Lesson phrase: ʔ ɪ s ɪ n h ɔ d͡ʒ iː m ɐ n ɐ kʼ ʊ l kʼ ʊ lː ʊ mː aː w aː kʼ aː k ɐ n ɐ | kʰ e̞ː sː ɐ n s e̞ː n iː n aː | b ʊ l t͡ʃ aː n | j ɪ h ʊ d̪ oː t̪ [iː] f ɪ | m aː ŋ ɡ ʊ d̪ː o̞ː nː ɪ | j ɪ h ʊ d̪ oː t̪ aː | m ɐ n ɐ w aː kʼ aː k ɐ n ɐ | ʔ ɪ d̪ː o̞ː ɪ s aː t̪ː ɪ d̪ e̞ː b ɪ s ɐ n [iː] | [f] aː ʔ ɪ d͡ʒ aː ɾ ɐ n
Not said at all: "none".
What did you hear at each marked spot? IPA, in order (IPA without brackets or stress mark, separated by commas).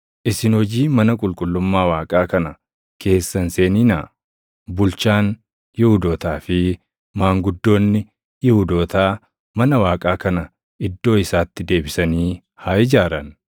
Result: aː, iː, h